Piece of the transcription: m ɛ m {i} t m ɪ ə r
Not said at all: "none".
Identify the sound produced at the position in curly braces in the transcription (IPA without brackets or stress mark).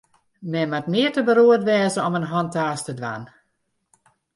a